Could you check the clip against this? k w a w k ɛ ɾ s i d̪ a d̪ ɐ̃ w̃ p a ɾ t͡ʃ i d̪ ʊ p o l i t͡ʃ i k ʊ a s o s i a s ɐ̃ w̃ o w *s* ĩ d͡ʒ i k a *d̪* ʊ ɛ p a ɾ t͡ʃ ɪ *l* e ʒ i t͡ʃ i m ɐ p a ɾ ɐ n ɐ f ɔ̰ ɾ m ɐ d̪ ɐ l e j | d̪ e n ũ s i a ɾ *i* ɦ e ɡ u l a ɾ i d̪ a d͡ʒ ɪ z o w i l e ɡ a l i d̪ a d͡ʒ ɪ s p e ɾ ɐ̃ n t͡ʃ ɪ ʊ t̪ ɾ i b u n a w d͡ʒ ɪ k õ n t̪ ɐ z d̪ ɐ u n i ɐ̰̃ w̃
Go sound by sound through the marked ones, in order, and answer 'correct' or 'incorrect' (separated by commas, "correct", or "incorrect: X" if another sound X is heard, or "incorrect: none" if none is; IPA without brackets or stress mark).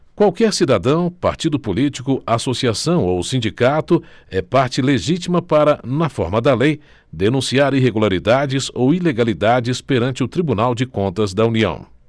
correct, incorrect: t̪, correct, correct